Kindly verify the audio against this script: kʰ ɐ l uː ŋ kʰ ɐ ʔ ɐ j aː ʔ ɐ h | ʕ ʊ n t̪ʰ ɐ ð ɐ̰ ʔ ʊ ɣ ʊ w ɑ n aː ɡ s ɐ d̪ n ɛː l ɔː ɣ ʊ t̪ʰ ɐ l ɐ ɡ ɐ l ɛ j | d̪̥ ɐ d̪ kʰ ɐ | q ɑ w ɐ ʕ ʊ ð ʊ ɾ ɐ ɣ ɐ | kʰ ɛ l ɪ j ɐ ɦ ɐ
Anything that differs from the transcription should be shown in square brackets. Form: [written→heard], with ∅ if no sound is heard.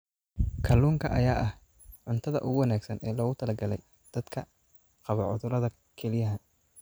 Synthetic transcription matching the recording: kʰ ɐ l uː ŋ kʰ ɐ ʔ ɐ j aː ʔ ɐ h | ʕ ʊ n t̪ʰ ɐ ð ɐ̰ ʔ ʊ ɣ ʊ w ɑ n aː ɡ s ɐ [d̪→∅] n ɛː l ɔː ɣ ʊ t̪ʰ ɐ l ɐ ɡ ɐ l ɛ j | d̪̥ ɐ d̪ kʰ ɐ | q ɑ [w→β] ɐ ʕ ʊ ð ʊ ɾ ɐ [ɣ→ð] ɐ | kʰ ɛ l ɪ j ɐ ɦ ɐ